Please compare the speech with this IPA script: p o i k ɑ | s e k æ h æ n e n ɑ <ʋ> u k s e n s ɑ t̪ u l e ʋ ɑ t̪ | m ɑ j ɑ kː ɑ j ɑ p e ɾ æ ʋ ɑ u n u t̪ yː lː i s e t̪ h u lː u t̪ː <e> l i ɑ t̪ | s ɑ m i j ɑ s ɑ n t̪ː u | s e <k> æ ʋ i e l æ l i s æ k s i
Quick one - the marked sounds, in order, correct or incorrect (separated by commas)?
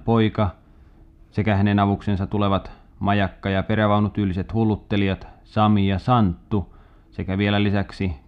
correct, correct, correct